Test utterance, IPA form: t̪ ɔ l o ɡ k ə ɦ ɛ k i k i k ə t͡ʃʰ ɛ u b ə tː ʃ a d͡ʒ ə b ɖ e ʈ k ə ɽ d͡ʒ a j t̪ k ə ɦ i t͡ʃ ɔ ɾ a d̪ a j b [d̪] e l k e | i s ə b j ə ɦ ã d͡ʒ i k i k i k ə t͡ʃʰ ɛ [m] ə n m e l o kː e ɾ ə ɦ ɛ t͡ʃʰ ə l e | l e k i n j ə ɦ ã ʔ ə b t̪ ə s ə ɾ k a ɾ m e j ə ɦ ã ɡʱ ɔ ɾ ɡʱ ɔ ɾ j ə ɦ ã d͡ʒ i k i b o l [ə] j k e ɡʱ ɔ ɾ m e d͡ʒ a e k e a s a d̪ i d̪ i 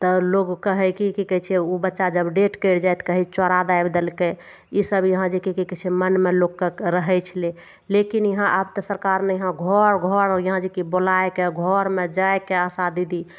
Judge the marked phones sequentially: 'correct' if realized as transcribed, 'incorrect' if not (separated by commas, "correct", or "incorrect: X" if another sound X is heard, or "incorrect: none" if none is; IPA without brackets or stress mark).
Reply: correct, correct, incorrect: a